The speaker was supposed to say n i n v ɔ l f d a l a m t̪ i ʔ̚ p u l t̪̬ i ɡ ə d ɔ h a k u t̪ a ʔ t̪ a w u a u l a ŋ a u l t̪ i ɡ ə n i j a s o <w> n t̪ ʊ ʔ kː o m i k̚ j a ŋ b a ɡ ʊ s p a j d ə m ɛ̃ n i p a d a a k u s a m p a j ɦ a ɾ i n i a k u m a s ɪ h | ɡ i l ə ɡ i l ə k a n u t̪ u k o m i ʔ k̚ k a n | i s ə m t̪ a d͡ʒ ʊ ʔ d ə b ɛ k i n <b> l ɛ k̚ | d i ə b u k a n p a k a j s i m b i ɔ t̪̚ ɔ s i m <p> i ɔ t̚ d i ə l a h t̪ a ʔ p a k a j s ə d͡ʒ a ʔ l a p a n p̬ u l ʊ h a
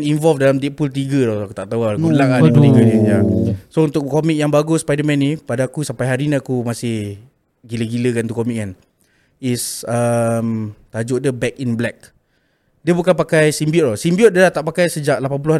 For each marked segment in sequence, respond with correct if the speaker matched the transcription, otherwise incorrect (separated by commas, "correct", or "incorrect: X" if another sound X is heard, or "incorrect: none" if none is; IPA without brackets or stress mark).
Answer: incorrect: u, correct, incorrect: b